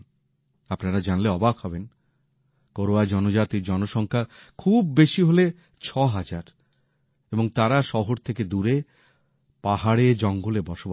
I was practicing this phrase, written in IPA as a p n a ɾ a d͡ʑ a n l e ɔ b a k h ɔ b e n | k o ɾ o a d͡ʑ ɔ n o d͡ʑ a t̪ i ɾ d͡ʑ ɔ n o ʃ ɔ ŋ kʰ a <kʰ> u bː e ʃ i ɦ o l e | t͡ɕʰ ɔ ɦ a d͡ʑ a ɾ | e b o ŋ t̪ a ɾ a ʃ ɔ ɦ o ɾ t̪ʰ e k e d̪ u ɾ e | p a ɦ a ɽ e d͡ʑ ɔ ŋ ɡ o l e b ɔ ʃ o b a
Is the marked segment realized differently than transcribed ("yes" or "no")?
no